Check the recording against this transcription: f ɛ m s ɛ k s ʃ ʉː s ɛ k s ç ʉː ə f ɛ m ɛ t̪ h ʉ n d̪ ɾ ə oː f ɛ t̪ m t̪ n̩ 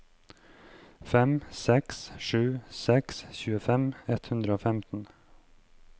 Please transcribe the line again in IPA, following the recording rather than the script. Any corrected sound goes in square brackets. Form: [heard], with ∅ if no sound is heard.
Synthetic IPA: f ɛ m s ɛ k s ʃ ʉː s ɛ k s ç ʉː ə f ɛ m ɛ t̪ h ʉ n d̪ ɾ ə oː f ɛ [∅] m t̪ n̩